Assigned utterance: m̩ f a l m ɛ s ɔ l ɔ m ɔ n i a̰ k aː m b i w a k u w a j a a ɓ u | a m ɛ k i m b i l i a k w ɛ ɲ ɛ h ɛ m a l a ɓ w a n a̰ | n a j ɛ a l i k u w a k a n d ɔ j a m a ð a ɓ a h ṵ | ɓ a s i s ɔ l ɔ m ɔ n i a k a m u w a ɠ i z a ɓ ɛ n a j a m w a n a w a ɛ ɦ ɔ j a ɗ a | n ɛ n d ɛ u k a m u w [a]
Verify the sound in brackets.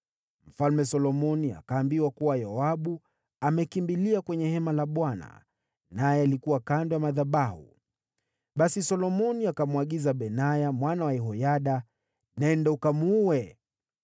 incorrect: ɛ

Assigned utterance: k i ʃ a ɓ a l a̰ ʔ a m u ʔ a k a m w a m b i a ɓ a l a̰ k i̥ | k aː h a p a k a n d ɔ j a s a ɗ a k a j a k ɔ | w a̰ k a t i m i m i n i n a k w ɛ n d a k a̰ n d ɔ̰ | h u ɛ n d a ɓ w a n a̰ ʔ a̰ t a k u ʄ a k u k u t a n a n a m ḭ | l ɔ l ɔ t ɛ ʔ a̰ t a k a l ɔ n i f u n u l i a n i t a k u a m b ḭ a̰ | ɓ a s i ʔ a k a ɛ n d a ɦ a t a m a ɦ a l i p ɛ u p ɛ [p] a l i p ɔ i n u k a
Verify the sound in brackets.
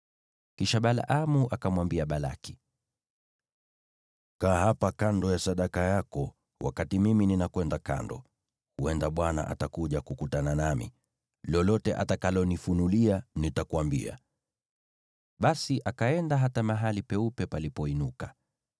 correct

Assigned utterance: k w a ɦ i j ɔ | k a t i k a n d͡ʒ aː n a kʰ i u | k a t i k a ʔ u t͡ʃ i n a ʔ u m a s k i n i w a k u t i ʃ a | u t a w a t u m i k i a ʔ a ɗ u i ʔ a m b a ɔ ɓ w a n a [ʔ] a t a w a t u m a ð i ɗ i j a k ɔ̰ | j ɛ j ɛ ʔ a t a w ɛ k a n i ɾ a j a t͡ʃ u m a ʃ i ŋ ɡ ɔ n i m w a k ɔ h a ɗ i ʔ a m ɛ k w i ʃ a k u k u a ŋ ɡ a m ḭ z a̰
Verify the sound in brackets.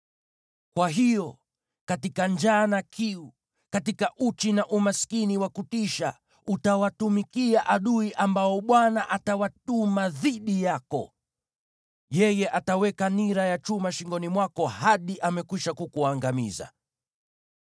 correct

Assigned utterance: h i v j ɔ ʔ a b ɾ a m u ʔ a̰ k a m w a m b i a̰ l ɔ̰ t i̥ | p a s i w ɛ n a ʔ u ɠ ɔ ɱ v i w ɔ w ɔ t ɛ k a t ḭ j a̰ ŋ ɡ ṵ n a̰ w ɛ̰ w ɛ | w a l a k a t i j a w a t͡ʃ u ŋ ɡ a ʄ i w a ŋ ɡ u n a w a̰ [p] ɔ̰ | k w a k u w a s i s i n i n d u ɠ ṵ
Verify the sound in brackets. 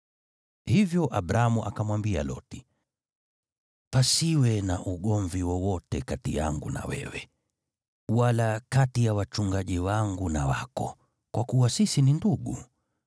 incorrect: k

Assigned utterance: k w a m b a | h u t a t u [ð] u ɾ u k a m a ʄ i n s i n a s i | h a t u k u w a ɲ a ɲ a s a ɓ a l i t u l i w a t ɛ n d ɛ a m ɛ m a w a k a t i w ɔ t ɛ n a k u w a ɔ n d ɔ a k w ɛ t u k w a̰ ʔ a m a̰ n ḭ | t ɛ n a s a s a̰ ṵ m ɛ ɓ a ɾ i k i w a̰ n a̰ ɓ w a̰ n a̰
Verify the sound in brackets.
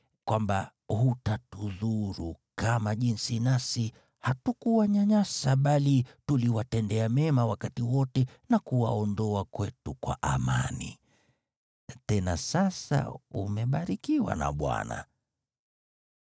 correct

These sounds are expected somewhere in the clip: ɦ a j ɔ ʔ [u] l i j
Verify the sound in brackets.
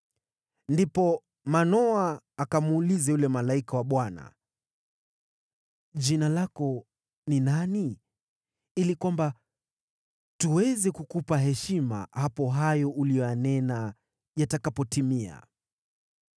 correct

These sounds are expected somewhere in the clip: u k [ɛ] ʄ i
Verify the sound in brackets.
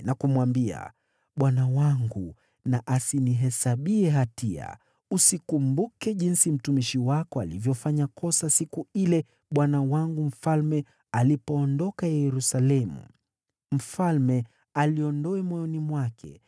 correct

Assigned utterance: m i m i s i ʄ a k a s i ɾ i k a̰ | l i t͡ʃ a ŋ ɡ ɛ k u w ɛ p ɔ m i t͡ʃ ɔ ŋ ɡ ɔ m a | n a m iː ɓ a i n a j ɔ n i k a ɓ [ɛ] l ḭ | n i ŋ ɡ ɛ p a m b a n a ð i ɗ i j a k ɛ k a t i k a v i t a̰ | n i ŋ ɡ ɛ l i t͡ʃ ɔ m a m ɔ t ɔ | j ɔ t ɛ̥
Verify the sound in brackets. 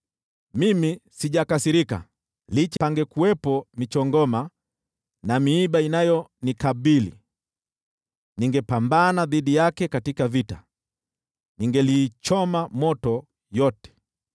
incorrect: i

